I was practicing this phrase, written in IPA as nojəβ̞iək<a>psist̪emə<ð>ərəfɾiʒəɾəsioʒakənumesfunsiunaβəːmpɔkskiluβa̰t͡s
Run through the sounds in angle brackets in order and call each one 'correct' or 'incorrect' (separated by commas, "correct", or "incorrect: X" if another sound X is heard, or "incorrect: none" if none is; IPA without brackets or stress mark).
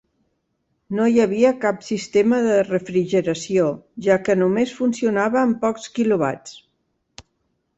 correct, correct